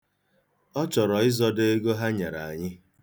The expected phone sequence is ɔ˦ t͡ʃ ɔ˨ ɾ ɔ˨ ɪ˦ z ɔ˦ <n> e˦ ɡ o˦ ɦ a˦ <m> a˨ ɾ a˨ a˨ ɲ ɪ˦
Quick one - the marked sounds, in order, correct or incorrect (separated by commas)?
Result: incorrect, incorrect